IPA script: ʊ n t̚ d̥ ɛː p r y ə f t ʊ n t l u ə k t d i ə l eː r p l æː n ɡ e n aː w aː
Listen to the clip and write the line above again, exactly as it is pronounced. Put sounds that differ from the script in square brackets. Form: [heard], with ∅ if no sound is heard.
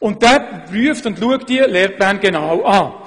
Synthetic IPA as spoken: ʊ n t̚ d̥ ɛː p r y ə f t ʊ n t l u ə k t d i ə l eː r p l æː n ɡ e n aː w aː